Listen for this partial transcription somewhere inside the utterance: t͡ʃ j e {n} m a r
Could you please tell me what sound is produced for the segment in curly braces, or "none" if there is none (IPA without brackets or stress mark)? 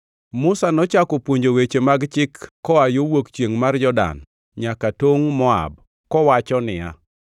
ŋ